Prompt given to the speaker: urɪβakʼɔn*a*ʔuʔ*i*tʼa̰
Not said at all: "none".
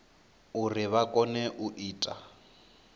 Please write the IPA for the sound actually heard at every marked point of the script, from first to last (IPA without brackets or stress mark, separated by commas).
ɛ, iː